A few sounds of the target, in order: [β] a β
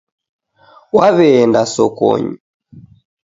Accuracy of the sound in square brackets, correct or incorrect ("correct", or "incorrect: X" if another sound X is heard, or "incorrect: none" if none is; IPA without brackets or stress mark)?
incorrect: w